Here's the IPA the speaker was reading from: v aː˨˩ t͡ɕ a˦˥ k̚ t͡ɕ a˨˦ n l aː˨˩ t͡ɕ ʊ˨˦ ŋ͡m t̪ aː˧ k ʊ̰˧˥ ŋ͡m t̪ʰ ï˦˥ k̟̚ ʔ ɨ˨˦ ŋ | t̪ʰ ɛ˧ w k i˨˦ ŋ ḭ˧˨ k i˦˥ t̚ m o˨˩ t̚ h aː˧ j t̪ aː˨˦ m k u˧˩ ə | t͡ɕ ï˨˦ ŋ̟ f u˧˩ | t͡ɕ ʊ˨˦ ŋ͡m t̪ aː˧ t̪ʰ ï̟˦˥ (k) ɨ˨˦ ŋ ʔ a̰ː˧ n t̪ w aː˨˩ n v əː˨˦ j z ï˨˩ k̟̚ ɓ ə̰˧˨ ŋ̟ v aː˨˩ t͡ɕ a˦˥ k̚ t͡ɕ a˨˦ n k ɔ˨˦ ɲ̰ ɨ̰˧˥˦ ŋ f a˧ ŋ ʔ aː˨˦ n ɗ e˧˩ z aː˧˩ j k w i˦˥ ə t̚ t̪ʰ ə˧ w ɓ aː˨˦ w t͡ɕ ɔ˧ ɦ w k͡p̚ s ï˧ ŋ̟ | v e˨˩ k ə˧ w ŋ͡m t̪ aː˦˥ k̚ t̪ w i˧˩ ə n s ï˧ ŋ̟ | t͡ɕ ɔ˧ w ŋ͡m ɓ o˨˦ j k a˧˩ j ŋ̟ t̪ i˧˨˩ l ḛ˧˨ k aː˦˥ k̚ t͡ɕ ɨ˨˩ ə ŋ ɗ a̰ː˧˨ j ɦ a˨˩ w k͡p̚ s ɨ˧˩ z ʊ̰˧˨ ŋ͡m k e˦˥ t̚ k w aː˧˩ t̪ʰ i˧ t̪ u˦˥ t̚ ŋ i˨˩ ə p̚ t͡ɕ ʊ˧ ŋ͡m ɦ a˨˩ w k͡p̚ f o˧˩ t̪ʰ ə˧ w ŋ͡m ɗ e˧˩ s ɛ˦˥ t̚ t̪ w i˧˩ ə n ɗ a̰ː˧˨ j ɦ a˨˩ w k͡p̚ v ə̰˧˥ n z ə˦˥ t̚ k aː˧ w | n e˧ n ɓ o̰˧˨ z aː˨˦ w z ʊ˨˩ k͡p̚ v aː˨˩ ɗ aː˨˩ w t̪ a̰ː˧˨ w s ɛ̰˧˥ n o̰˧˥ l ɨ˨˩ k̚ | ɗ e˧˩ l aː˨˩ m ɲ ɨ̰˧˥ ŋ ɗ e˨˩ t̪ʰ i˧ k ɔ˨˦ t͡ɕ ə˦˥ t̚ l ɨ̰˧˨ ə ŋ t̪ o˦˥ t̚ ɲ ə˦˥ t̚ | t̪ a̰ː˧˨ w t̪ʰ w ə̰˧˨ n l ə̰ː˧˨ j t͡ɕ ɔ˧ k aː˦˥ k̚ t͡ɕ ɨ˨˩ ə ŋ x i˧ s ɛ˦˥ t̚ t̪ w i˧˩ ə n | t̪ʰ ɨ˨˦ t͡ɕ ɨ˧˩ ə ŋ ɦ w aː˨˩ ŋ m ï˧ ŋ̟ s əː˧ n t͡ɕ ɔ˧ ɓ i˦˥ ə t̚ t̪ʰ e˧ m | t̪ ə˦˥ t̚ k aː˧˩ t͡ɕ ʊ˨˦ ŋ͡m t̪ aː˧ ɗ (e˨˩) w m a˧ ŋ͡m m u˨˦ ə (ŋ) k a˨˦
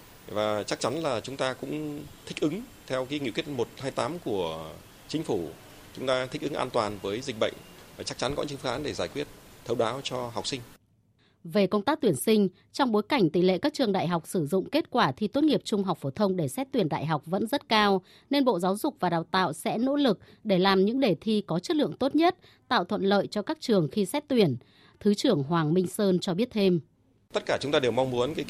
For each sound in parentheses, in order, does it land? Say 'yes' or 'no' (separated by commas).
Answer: no, yes, no